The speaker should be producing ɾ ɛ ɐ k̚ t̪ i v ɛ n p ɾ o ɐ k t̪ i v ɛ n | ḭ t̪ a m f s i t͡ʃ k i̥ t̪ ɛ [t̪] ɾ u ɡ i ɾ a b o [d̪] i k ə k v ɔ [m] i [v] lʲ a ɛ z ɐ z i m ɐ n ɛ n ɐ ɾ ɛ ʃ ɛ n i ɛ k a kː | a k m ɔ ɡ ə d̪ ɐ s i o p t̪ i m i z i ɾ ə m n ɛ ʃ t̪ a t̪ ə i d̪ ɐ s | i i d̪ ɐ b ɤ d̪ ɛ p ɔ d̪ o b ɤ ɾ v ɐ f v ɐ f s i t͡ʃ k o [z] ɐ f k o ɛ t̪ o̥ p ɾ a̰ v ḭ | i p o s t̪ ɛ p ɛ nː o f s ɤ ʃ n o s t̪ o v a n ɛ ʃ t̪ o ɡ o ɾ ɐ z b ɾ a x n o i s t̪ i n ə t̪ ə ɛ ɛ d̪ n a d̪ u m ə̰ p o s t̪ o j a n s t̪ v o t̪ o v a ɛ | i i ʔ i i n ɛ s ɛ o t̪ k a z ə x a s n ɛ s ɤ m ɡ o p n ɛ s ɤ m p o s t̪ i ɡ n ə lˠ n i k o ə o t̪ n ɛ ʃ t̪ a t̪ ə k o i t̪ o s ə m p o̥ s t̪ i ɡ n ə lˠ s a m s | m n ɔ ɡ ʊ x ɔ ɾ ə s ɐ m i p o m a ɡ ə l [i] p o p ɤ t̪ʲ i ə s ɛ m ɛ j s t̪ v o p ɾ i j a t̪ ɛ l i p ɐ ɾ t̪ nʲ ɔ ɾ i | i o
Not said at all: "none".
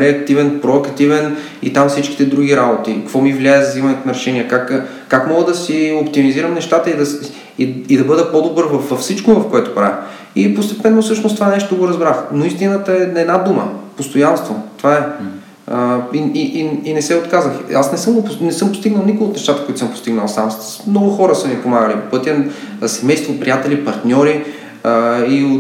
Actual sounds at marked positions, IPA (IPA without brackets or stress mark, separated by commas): d̪, t̪, m, v, v, i